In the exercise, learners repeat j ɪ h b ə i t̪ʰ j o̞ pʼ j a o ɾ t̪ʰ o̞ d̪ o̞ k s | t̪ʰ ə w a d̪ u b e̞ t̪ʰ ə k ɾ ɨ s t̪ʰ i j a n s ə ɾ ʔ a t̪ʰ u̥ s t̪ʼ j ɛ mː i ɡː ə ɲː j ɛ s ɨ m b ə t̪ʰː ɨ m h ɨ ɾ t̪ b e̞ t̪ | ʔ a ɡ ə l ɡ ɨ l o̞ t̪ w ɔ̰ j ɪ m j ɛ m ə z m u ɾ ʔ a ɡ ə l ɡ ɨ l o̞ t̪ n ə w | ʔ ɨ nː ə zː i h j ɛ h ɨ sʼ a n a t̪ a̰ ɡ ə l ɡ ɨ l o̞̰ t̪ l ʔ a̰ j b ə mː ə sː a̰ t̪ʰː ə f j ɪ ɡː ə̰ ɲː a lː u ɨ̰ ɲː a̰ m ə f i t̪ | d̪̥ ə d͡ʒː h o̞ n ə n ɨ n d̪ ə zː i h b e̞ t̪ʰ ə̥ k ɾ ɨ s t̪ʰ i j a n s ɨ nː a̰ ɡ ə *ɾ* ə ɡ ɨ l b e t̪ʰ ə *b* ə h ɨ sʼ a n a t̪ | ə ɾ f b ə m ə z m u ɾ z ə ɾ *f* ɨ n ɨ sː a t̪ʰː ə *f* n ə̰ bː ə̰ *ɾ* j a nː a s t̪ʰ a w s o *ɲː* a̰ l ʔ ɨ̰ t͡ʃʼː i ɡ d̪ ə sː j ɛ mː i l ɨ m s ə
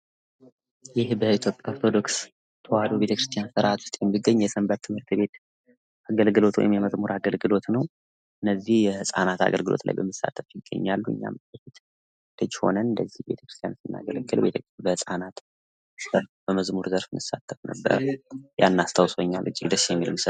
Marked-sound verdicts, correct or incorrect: incorrect: l, correct, correct, correct, correct, correct

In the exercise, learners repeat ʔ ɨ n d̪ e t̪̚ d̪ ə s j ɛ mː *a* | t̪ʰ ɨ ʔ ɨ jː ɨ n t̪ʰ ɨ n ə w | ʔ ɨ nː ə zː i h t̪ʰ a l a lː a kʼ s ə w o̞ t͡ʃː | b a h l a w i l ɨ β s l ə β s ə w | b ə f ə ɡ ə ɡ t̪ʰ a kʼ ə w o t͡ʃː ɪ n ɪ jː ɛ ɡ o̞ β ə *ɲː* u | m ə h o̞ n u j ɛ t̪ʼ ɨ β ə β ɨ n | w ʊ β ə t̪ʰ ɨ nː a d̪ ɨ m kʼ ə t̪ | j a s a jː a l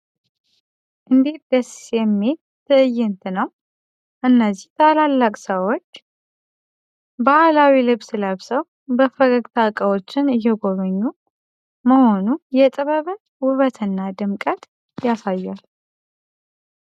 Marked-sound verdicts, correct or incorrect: incorrect: e, correct

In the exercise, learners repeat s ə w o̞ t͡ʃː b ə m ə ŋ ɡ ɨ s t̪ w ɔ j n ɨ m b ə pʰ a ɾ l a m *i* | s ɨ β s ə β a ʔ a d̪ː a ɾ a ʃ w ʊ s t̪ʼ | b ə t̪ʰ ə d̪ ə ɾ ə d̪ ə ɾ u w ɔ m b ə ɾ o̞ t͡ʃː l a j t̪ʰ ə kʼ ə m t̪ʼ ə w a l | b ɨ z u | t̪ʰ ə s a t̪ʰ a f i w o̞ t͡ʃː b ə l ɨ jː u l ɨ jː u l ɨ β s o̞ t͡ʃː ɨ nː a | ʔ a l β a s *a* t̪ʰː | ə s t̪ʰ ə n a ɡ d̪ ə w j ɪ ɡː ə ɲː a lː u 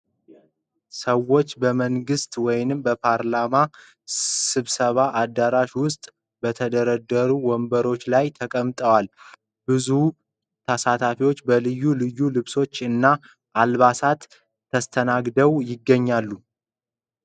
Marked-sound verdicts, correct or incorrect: incorrect: a, correct

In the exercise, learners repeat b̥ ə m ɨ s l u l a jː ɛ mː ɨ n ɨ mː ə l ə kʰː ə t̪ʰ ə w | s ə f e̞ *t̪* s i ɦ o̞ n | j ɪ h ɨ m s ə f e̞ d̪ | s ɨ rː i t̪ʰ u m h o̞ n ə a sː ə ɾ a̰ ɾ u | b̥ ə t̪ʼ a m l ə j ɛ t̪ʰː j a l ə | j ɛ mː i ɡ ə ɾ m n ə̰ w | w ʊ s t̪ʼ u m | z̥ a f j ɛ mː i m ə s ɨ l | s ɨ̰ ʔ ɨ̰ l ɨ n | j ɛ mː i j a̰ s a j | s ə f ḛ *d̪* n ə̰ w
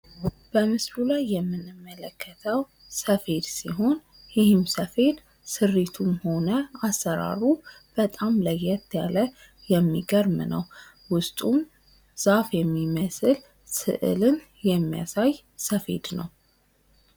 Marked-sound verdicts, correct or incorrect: incorrect: d̪, correct

